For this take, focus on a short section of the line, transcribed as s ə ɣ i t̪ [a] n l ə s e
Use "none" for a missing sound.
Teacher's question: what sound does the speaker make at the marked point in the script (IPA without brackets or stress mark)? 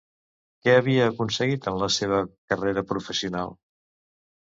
ə